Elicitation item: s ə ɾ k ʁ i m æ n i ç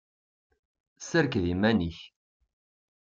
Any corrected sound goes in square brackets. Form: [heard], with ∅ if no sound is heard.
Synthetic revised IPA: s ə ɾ k [ð] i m æ n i ç